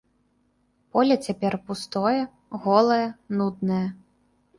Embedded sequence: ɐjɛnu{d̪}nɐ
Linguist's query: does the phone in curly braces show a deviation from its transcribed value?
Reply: no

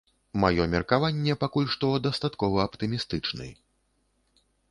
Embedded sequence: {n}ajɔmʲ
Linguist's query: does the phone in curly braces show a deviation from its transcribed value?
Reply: yes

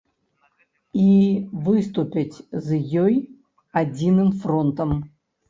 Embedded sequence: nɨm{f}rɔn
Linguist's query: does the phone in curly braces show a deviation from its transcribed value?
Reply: no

